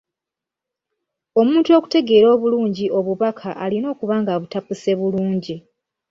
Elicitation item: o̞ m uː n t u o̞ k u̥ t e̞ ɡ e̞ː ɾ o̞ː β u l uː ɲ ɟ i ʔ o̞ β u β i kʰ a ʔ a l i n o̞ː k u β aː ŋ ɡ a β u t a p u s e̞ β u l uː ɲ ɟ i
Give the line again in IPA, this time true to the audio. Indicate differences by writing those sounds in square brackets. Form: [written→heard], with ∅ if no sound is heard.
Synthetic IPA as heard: o̞ m uː n t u o̞ k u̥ t e̞ ɡ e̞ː ɾ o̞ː β u l uː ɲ ɟ i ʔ o̞ β u β [i→a] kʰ a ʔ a l i n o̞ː k u β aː ŋ ɡ a β u t a p u s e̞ β u l uː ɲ ɟ i